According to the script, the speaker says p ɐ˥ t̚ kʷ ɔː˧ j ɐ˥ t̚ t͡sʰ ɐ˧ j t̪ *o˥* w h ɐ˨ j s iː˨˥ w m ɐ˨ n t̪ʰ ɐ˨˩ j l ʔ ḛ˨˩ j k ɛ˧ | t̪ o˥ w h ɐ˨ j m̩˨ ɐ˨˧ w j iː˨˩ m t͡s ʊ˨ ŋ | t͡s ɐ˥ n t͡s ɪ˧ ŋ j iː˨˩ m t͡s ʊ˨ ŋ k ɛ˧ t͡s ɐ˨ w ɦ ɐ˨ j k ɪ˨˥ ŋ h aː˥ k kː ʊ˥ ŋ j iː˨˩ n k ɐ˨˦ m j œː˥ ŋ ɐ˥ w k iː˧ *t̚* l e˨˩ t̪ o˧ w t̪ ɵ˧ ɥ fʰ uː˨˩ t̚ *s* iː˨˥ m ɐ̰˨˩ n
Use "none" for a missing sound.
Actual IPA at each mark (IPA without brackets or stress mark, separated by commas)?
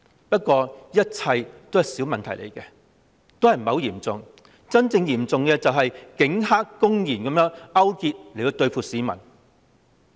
o˥, t̚, s